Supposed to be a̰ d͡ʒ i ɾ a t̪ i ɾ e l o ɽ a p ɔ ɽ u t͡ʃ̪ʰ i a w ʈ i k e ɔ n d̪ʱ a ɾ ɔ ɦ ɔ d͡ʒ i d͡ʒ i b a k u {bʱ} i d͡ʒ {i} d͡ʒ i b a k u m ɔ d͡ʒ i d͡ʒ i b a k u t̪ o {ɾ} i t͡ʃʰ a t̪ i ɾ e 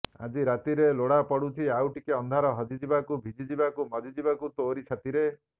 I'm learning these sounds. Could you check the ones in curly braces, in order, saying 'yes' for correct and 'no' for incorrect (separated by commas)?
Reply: yes, yes, yes